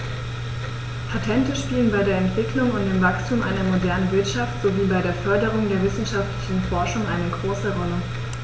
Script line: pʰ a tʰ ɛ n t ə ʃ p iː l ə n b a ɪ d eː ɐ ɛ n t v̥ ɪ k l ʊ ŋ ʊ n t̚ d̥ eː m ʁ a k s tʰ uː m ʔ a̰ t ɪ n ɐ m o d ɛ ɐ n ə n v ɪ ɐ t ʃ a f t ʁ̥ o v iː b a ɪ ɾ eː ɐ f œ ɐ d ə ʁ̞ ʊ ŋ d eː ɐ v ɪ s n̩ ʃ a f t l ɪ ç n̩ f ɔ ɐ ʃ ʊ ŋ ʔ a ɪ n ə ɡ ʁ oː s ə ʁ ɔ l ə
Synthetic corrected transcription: pʰ a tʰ ɛ n t ə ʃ p iː l ə n b a ɪ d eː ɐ ɛ n t v̥ ɪ k l ʊ ŋ ʊ n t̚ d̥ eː m v a k s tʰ uː m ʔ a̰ ɪ n ɐ m o d ɛ ɐ n ə n v ɪ ɐ t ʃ a f t z̥ o v iː b a ɪ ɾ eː ɐ f œ ɐ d ə ʁ̞ ʊ ŋ d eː ɐ v ɪ s n̩ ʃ a f t l ɪ ç n̩ f ɔ ɐ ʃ ʊ ŋ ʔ a ɪ n ə ɡ ʁ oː s ə ʁ ɔ l ə